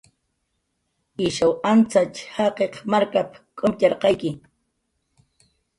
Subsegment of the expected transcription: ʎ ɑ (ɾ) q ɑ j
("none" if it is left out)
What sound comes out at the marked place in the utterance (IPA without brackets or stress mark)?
ɾ